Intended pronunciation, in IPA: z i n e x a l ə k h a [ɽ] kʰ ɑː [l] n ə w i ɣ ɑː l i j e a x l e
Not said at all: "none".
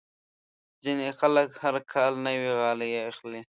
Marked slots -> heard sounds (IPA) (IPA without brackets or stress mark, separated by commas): ɾ, l